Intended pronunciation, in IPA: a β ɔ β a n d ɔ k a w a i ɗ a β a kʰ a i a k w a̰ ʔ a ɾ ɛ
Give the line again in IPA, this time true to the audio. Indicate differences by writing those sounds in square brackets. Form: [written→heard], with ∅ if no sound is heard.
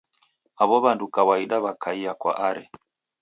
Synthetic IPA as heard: a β ɔ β a n d [ɔ→u] k a w a i ɗ a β a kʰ a i a k w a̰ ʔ a ɾ ɛ